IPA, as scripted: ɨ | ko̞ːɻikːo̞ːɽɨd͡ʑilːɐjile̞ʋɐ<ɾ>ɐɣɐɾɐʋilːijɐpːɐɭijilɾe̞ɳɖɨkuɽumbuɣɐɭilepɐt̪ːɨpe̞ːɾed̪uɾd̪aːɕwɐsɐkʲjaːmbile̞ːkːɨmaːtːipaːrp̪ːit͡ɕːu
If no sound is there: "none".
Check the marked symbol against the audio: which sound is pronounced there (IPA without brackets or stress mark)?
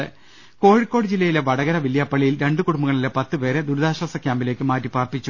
ɽ